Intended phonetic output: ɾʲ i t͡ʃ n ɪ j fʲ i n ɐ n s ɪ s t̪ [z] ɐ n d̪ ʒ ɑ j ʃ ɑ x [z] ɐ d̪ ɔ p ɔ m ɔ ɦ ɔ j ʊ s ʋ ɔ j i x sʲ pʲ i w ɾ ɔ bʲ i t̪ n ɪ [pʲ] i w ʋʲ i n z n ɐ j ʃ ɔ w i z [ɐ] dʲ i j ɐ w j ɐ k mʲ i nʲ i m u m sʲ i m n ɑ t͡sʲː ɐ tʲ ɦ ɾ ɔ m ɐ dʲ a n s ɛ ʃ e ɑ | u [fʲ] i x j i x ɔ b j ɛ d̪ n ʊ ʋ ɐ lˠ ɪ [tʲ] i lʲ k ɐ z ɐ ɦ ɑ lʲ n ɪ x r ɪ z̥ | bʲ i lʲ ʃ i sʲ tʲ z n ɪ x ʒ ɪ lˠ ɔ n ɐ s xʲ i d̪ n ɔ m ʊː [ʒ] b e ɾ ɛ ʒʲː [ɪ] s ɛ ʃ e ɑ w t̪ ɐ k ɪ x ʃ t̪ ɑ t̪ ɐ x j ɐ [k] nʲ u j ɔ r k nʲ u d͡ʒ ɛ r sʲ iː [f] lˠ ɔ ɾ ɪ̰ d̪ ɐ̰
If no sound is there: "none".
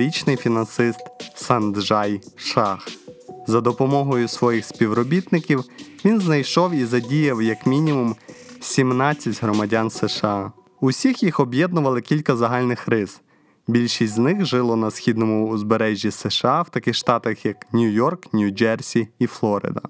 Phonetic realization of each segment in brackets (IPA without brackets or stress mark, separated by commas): s, z, kʲ, ɐ, sʲ, kʲ, z, i, k, f